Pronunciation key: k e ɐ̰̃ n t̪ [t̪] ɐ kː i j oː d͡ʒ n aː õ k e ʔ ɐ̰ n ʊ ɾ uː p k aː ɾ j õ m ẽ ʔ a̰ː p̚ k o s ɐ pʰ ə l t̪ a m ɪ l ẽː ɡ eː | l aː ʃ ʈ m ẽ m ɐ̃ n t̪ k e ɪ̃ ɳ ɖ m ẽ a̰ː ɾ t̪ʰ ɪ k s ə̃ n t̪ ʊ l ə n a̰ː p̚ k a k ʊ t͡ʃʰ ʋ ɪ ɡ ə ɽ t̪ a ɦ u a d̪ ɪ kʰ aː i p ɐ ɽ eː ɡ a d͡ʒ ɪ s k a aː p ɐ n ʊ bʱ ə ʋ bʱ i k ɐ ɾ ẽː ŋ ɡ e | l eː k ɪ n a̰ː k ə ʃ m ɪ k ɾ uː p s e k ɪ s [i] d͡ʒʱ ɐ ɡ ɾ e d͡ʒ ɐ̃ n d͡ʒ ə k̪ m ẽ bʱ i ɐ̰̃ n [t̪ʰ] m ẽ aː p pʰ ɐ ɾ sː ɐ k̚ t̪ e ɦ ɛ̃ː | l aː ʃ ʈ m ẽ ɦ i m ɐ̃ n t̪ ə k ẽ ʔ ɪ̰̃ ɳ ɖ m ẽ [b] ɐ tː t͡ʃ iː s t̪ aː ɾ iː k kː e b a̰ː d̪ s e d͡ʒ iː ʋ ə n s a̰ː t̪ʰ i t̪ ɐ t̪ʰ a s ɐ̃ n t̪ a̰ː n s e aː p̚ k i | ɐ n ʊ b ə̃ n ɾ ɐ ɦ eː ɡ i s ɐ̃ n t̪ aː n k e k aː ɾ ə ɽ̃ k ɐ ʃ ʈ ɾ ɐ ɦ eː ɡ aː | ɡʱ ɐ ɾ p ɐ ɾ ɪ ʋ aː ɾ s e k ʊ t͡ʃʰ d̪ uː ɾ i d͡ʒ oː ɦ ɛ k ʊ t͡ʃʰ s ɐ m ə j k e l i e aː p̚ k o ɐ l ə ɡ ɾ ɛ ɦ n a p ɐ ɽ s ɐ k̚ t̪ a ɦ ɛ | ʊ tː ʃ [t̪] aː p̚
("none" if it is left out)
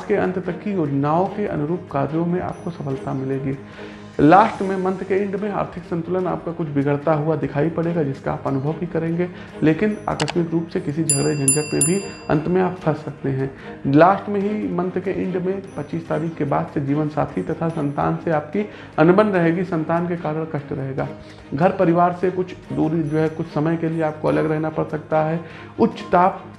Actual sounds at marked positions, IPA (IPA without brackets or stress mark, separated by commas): t̪, i, t̪, p, t̪